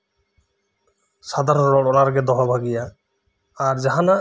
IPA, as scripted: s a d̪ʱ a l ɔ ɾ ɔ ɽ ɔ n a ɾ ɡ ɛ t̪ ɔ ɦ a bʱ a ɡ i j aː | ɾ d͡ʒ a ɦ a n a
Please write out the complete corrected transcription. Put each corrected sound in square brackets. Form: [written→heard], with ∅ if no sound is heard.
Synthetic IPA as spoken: s a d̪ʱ a [l→ɾ] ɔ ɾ ɔ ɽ ɔ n a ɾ ɡ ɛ [t̪→d̪] ɔ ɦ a bʱ a ɡ i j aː | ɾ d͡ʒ a ɦ a n a